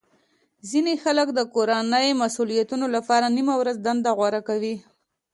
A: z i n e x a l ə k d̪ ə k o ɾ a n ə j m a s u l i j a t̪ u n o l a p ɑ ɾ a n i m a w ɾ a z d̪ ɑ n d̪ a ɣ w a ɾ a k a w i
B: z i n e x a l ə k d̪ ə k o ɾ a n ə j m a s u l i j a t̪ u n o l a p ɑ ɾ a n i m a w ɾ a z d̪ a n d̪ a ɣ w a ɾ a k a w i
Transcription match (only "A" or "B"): B